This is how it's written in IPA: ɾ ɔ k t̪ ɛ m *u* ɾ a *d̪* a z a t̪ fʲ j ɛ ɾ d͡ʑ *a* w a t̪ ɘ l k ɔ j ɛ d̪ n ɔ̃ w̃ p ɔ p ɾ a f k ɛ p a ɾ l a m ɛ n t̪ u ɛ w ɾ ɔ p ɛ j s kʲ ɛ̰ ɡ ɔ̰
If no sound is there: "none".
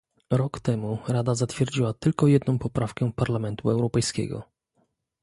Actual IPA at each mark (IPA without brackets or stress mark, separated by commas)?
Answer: u, d̪, i